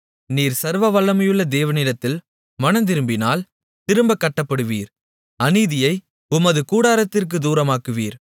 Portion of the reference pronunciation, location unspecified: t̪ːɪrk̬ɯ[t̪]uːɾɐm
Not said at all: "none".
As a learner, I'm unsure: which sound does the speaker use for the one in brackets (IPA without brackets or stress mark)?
d̪